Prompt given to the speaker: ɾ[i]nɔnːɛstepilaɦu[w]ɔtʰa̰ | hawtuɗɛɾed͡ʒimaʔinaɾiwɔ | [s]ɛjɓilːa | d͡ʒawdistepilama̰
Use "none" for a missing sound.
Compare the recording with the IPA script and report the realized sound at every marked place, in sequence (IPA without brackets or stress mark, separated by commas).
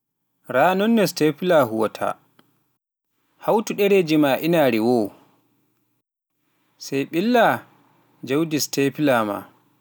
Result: a, w, s